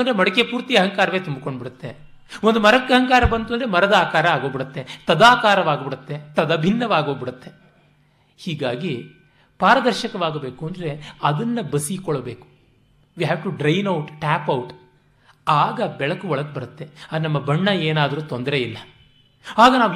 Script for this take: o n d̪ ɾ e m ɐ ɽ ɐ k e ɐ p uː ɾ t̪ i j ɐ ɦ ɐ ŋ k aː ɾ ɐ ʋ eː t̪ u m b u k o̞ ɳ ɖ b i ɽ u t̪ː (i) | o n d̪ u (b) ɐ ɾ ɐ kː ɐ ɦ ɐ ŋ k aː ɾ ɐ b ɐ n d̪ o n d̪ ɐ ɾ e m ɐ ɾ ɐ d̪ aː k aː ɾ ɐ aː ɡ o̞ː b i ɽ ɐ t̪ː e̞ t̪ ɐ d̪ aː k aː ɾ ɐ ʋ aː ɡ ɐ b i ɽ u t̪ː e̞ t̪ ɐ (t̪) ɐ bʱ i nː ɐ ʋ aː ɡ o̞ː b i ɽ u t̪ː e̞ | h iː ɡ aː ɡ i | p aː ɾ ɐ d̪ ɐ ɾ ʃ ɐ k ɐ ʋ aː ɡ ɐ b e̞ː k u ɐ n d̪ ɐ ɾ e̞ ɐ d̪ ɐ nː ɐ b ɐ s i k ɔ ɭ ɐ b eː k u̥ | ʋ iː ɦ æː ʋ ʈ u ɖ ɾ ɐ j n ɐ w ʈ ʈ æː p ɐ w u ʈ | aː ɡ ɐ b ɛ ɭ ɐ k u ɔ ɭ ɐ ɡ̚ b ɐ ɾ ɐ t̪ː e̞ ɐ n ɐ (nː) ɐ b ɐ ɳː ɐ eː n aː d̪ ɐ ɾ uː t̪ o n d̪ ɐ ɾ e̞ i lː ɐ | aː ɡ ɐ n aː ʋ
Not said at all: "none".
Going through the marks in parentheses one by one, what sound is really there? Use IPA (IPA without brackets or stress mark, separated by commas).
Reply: e, m, d̪, mː